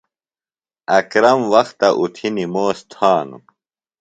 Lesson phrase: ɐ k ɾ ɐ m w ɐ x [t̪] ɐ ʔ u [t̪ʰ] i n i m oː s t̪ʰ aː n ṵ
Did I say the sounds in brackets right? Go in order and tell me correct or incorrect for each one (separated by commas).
correct, correct